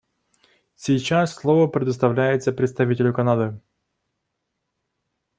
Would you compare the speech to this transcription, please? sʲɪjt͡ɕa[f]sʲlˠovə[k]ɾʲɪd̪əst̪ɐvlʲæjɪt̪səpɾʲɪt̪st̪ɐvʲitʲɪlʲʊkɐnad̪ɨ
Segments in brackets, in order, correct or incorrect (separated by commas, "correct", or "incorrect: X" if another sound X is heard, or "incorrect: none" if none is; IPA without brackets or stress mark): incorrect: s, incorrect: p